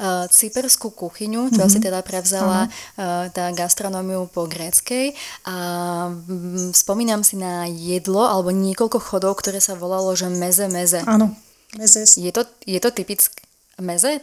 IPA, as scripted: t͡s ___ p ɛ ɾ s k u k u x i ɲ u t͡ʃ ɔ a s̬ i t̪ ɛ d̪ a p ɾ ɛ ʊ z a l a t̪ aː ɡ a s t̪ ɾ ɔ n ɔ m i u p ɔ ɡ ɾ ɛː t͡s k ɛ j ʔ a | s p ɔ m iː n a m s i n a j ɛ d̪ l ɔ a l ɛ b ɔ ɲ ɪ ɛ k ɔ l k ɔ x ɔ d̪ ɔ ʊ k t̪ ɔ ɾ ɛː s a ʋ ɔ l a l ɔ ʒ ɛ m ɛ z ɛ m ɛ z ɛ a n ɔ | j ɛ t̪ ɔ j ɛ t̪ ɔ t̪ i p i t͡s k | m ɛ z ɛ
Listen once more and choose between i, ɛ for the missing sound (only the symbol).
i